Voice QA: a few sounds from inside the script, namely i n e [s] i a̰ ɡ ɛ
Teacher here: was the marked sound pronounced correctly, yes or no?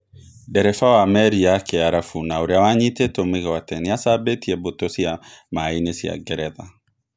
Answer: yes